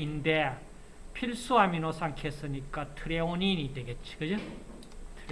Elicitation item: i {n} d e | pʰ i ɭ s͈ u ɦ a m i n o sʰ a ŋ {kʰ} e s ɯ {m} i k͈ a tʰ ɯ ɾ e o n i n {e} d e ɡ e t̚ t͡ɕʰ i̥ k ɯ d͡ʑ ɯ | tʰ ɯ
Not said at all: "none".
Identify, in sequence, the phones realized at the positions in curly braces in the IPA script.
n, kʰ, ɲ, i

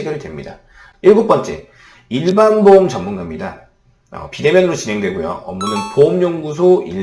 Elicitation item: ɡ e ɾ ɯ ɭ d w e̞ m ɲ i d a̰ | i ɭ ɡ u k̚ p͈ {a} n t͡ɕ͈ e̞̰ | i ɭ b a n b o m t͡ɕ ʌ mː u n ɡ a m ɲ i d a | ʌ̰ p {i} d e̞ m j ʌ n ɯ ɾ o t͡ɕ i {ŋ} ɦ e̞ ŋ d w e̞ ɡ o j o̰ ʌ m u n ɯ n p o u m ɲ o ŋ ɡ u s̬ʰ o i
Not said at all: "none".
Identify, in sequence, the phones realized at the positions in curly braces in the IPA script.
ʌ, i, n

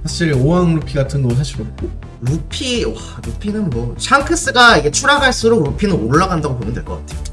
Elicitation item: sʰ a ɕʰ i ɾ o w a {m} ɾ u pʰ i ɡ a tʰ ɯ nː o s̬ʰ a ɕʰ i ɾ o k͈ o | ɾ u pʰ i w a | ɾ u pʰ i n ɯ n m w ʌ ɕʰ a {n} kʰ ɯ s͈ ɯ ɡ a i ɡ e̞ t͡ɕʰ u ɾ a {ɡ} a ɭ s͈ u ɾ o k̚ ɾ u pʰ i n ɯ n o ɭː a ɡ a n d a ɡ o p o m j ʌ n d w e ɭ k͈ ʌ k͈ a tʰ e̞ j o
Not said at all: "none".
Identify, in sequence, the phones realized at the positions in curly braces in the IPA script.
ŋ, ŋ, ɡ

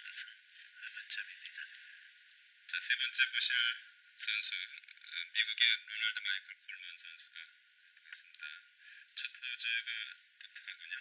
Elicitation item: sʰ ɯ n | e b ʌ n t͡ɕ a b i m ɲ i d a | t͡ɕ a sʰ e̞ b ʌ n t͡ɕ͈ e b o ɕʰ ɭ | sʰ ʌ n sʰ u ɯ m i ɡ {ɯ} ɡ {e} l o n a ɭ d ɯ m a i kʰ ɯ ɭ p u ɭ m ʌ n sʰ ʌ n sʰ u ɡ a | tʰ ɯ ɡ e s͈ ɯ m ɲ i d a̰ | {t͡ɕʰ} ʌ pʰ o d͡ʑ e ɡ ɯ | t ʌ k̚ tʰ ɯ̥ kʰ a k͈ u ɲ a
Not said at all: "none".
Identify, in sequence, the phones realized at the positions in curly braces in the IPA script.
u, e, t͡ɕʰ

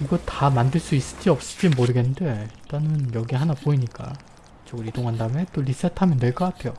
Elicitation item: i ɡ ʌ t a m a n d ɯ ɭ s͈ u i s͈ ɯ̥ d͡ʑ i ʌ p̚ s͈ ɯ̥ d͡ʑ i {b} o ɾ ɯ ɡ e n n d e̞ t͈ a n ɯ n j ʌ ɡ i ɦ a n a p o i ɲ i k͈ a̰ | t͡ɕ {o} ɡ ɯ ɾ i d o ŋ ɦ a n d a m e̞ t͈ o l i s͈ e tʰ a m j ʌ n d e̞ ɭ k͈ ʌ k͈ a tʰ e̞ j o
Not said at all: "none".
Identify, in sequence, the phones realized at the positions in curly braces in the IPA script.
m, o

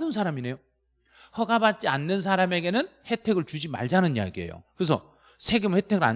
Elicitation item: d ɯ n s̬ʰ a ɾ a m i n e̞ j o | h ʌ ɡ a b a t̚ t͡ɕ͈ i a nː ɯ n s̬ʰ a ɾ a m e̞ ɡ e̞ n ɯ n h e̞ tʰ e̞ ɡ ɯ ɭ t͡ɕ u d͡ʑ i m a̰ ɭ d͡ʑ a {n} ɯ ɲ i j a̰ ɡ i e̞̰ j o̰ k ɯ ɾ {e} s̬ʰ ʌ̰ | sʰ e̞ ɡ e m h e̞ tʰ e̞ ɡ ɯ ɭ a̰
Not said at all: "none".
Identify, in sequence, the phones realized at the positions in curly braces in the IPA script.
n, e

